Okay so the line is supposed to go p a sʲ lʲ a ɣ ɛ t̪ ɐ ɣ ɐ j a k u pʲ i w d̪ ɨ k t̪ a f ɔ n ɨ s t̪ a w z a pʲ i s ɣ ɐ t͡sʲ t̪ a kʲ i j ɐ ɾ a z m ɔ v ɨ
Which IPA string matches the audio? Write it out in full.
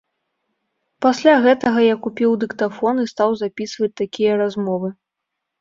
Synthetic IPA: p a sʲ lʲ a ɣ ɛ t̪ ɐ ɣ ɐ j a k u pʲ i w d̪ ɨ k t̪ a f ɔ n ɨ s t̪ a w z a pʲ i s v ɐ t͡sʲ t̪ a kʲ i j ɐ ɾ a z m ɔ v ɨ